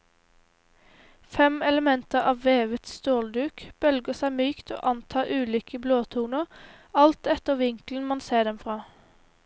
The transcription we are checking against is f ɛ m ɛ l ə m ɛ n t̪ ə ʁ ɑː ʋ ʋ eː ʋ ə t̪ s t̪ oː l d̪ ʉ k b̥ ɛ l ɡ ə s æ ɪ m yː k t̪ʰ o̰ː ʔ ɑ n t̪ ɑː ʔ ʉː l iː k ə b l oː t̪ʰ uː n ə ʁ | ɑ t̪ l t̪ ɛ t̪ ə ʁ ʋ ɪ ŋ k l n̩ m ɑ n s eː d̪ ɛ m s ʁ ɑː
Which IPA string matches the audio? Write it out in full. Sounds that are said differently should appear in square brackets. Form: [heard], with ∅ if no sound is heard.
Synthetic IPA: f ɛ m ɛ l ə m ɛ n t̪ ə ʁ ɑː ʋ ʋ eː ʋ ə t̪ s t̪ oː l d̪ [ʉː] k b̥ [œ] l ɡ ə s æ ɪ m yː k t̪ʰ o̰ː ʔ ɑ n [t̪ʰ] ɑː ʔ ʉː l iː k ə b l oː t̪ʰ uː n ə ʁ | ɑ [∅] l t̪ ɛ t̪ ə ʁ ʋ ɪ ŋ k l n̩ m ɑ n s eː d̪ ɛ m [f] ʁ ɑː